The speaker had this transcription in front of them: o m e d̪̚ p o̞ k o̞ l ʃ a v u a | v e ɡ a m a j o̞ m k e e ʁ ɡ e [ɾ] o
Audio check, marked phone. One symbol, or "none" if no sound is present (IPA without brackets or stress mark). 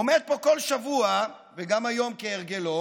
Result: l